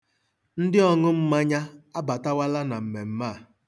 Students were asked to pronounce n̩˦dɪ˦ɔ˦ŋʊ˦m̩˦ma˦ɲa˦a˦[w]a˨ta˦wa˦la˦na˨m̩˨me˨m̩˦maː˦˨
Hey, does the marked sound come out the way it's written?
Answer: no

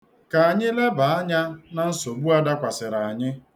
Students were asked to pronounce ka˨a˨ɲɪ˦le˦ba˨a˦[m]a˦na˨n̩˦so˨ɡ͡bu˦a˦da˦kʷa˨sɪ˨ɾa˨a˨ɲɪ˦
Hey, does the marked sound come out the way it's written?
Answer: no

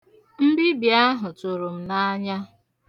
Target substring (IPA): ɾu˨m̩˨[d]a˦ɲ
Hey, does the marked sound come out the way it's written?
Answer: no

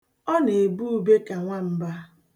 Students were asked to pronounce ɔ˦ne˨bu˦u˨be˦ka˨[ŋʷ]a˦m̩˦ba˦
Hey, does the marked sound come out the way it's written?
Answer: yes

